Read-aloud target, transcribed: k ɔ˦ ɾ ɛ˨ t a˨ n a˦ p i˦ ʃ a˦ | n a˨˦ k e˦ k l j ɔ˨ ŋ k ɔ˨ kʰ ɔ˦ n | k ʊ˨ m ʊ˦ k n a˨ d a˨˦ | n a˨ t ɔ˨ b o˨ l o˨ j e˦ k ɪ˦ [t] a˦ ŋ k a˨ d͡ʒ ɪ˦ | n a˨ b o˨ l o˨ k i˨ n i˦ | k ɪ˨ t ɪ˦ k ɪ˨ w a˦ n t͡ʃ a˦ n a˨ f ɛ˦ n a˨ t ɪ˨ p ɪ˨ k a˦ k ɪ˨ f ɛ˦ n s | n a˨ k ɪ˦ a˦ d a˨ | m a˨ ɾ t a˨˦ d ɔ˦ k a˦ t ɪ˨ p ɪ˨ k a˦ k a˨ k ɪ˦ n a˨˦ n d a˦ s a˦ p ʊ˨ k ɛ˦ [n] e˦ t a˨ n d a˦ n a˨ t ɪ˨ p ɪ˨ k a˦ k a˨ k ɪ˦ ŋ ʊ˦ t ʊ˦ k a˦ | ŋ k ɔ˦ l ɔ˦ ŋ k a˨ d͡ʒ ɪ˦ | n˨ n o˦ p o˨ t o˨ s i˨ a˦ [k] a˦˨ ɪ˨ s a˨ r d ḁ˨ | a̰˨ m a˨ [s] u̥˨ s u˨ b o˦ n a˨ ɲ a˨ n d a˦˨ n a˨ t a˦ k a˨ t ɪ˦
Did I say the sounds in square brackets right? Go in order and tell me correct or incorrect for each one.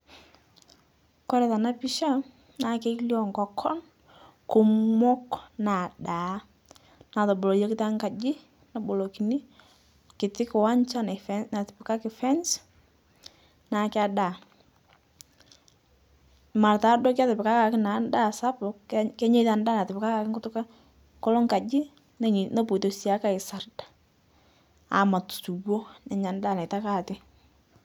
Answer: correct, incorrect: ɲ, correct, incorrect: t

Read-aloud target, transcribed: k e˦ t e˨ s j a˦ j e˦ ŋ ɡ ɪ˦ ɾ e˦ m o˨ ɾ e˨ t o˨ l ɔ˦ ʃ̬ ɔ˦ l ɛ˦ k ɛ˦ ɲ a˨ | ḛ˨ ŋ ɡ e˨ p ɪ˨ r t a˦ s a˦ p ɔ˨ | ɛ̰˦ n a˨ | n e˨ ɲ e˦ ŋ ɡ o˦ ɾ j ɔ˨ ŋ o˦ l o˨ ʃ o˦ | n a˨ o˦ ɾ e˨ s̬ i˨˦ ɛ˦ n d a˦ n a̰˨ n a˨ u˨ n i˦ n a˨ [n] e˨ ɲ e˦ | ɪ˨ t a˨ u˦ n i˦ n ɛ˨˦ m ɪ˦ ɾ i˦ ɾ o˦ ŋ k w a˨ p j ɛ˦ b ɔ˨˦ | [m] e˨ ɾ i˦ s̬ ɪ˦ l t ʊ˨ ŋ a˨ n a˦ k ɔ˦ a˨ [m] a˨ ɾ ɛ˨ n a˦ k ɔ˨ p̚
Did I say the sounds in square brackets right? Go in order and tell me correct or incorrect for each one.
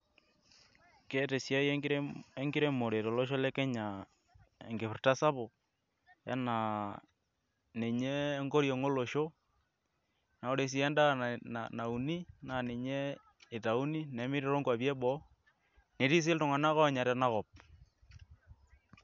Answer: correct, incorrect: n, incorrect: ɲ

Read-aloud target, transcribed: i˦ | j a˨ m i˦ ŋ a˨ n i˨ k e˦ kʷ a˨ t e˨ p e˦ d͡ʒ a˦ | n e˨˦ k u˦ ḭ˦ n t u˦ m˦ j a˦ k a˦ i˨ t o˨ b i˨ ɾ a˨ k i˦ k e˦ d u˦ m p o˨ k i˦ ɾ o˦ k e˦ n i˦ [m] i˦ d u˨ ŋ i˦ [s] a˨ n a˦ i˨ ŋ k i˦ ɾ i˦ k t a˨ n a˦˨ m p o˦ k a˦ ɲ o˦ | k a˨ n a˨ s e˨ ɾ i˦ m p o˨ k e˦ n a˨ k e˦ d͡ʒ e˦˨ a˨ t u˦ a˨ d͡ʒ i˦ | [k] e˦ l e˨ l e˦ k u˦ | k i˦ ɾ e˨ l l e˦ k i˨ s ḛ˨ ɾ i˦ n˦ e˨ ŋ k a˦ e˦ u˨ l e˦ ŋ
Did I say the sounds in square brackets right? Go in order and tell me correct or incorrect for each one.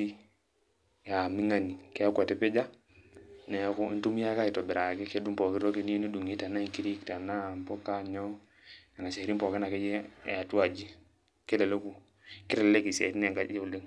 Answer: incorrect: n, incorrect: t, correct

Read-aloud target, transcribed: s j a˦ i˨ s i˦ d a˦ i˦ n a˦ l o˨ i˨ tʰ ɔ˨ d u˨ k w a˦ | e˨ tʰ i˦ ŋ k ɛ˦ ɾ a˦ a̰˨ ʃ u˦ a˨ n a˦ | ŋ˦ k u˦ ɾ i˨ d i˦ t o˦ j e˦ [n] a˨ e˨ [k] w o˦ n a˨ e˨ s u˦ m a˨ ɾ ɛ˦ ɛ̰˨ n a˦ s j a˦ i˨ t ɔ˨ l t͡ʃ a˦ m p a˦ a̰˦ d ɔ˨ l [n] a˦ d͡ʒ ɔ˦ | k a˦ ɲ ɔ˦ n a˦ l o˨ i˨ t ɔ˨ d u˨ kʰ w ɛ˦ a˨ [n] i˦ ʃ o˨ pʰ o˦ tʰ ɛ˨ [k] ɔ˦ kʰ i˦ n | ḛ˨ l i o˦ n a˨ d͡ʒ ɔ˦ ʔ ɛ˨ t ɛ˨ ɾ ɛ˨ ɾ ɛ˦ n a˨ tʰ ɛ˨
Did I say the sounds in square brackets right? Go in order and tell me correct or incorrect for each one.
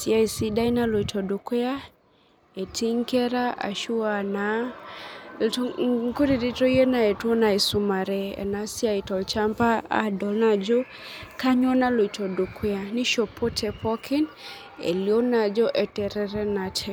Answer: correct, incorrect: t, correct, correct, incorrect: p

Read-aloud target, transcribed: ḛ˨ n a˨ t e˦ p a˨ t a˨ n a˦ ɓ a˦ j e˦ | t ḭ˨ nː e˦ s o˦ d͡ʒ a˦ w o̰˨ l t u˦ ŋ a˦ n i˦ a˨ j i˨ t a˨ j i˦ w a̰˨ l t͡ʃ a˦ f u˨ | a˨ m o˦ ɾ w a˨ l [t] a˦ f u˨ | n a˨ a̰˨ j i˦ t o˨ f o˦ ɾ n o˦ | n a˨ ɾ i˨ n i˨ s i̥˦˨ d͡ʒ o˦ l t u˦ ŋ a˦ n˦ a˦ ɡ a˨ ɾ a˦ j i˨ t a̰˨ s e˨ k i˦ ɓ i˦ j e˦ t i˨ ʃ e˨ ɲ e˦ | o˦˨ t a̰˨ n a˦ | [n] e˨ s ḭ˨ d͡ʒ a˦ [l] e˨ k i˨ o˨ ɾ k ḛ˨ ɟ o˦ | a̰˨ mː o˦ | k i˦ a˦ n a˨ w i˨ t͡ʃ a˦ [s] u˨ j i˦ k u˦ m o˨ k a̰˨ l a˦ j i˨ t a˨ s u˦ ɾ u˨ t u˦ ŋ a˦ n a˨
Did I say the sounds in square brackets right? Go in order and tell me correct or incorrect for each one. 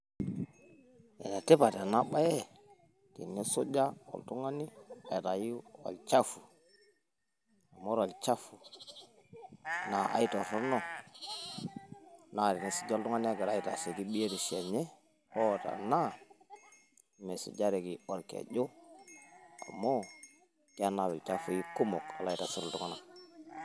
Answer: incorrect: t͡ʃ, incorrect: m, incorrect: ɾ, incorrect: f

